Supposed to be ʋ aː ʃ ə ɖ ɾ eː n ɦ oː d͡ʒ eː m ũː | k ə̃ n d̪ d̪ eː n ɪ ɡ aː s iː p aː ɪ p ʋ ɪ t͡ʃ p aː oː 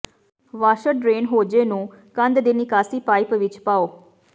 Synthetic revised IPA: ʋ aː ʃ ə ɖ ɾ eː n ɦ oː d͡ʒ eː n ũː | k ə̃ n d̪ d̪ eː n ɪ k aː s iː p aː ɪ p ʋ ɪ t͡ʃ p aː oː